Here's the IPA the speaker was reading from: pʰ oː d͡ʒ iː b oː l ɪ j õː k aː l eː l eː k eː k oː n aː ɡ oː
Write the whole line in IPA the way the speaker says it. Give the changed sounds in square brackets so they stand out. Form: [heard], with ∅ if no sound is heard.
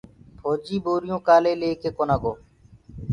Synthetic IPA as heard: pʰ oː d͡ʒ iː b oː [ɾ] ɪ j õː k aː l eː l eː k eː k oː n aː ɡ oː